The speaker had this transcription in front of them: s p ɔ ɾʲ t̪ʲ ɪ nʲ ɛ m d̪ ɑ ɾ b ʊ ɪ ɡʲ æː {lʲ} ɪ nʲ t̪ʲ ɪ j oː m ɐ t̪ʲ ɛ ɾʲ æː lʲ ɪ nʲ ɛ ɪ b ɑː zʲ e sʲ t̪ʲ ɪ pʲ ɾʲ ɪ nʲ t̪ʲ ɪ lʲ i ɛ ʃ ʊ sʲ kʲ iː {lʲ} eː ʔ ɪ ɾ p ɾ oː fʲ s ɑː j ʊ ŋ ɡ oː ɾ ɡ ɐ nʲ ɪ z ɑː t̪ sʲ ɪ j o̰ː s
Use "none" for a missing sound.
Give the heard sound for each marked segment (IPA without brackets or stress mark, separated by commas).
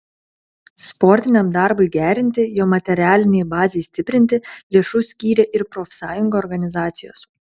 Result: ɾʲ, ɾʲ